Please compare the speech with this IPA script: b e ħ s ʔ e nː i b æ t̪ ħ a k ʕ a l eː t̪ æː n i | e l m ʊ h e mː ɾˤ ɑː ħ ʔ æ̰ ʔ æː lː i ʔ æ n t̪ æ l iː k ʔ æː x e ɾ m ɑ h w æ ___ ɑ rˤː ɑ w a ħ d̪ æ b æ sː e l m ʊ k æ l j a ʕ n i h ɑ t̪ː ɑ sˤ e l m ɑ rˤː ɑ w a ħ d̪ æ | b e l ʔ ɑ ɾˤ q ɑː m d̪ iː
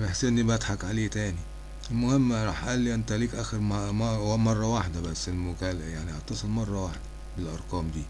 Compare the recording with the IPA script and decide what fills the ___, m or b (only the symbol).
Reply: m